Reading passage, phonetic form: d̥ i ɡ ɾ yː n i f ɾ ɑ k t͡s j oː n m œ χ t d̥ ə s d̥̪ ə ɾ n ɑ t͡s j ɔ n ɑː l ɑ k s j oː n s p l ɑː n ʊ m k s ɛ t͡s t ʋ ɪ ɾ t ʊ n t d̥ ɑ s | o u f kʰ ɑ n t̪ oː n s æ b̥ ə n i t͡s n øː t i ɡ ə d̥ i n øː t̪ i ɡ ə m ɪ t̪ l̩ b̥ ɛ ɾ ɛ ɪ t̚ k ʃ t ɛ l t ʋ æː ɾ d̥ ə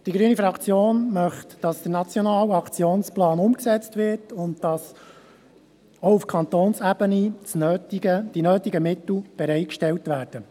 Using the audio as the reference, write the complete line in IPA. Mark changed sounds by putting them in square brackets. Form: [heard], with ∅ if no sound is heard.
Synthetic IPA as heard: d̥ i ɡ ɾ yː n i f ɾ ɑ k t͡s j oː n m œ χ t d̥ [ɑ] s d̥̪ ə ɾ n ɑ t͡s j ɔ n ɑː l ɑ k [t͡s] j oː n s p l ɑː n ʊ m k s ɛ t͡s t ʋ ɪ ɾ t ʊ n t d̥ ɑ s | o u f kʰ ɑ n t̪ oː n s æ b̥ ə n i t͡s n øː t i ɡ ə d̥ i n øː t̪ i ɡ ə m ɪ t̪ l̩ b̥ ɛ ɾ ɛ ɪ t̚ k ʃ t ɛ l t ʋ æː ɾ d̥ ə